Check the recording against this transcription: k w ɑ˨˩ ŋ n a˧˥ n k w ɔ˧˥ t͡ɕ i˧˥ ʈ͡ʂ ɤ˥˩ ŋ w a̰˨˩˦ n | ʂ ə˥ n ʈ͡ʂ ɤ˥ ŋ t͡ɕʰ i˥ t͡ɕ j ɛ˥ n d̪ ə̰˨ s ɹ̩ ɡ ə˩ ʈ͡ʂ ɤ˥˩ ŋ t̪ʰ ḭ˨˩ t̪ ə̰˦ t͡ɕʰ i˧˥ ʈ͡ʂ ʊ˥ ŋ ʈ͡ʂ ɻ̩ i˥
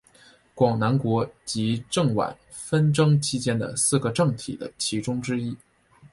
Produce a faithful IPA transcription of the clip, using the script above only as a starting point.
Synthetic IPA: k w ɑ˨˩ ŋ n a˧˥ n k w ɔ˧˥ t͡ɕ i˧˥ ʈ͡ʂ ɤ˥˩ ŋ w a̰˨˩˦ n | f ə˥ n ʈ͡ʂ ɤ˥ ŋ t͡ɕʰ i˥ t͡ɕ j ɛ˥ n d̪ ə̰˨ s ɹ̩ ɡ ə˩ ʈ͡ʂ ɤ˥˩ ŋ t̪ʰ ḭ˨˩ d̪ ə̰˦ t͡ɕʰ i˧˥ ʈ͡ʂ ʊ˥ ŋ ʈ͡ʂ ɻ̩ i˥